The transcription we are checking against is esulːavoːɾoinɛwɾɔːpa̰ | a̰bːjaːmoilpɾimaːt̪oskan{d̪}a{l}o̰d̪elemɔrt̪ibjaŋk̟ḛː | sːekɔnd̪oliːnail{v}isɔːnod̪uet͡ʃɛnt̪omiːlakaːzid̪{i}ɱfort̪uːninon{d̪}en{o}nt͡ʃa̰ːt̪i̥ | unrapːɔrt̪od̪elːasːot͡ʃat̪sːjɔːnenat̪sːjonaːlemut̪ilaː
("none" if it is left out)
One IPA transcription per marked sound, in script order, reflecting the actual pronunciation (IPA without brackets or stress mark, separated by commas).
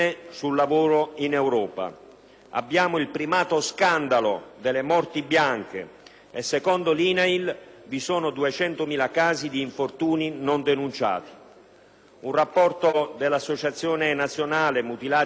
d̪, l, v, iː, d̪, u